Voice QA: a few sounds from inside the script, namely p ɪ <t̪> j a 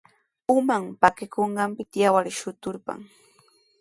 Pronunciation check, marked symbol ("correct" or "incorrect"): correct